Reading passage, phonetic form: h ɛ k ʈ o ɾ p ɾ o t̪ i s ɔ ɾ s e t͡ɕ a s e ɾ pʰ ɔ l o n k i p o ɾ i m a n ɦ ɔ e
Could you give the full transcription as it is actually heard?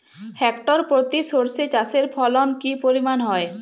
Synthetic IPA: h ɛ k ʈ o ɾ p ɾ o t̪ i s o ɾ s e t͡ɕ a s e ɾ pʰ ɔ l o n k i p o ɾ i m a n ɦ ɔ e